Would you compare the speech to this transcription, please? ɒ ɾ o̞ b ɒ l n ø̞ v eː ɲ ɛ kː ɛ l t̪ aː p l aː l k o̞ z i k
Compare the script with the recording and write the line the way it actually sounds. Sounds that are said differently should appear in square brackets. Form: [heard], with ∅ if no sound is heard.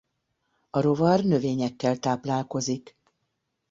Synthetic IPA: ɒ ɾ o̞ [v] ɒ [r] n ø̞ v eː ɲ ɛ kː ɛ l t̪ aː p l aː l k o̞ z i k